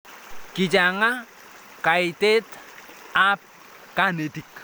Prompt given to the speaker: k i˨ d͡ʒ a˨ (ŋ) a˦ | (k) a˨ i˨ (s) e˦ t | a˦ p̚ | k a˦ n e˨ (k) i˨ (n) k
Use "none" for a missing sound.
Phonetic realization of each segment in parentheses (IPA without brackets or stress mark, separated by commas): ŋ, k, t, t, none